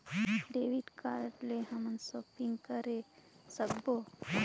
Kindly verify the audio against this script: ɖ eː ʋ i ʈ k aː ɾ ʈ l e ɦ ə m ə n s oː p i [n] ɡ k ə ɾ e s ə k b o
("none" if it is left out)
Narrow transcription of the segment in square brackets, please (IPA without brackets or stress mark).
ŋ